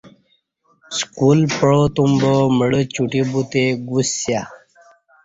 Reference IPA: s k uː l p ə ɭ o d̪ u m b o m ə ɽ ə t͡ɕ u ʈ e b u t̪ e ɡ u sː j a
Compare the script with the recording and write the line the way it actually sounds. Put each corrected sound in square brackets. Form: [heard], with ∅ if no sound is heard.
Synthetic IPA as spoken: s k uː l p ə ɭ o [t̪] u m b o m ə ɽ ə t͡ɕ u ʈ [i] b u t̪ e ɡ u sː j a